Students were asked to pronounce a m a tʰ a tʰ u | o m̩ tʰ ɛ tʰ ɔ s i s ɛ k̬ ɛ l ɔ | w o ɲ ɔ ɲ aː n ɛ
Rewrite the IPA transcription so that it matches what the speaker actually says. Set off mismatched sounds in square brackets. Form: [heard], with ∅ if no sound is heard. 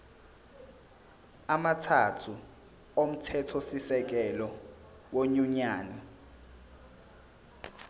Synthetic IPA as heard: a m a tʰ a tʰ u | o m̩ tʰ ɛ tʰ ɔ s i s ɛ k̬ ɛ l ɔ | w o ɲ [u] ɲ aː n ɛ